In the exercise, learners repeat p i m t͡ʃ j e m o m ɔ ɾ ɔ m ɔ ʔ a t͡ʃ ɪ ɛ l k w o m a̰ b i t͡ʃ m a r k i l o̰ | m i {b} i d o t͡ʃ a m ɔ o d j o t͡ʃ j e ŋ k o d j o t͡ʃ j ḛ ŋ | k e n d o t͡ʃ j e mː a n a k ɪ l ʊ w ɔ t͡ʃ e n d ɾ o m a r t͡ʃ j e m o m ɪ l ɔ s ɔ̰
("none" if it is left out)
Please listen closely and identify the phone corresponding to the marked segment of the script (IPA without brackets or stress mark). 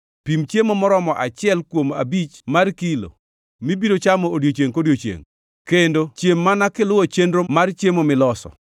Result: b